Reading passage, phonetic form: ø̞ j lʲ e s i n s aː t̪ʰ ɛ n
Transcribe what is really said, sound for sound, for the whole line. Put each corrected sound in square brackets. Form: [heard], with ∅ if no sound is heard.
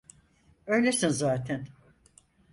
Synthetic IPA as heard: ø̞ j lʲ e s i n [z] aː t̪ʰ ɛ n